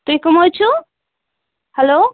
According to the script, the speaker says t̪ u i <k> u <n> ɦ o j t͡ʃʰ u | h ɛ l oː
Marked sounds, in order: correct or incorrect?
correct, incorrect

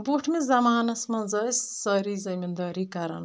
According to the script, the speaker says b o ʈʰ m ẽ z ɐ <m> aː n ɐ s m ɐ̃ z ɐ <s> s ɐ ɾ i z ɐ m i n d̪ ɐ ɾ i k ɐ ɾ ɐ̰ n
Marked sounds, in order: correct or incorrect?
correct, correct

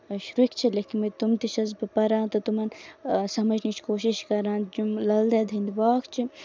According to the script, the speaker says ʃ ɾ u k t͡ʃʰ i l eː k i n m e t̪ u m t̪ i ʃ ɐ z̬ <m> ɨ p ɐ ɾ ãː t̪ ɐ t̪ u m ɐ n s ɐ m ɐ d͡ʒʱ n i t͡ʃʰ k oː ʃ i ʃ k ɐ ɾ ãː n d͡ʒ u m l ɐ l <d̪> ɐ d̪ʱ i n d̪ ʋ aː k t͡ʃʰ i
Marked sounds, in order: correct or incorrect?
incorrect, correct

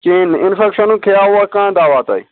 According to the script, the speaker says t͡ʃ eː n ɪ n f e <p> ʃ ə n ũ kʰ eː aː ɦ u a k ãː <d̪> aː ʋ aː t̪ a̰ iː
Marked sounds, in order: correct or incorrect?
incorrect, correct

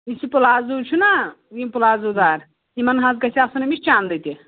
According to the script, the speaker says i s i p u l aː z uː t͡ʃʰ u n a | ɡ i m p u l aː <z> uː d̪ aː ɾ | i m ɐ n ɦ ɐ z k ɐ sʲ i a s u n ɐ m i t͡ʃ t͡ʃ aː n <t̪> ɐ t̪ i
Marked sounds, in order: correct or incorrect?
correct, incorrect

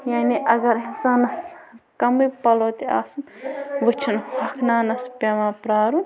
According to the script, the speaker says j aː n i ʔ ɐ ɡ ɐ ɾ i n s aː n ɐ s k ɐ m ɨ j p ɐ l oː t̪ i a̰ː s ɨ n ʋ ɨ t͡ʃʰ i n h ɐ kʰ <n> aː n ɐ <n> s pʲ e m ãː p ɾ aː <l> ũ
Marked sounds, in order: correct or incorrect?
correct, incorrect, incorrect

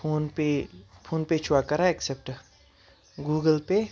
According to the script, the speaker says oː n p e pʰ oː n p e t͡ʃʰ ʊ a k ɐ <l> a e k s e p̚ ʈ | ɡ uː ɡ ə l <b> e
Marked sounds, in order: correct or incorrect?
incorrect, incorrect

